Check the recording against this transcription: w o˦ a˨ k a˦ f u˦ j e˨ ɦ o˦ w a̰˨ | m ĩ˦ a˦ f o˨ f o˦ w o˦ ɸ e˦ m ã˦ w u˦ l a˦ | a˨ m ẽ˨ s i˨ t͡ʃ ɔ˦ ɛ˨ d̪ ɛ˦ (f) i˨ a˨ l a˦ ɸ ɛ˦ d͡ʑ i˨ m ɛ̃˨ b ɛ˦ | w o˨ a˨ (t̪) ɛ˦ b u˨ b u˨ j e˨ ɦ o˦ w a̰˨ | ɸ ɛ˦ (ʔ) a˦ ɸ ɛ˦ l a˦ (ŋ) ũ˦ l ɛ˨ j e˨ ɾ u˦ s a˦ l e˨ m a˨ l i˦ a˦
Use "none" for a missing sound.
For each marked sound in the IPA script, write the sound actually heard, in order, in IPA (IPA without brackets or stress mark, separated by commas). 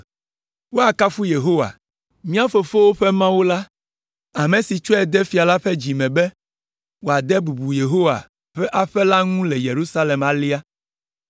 f, d̪, ʔ, ŋ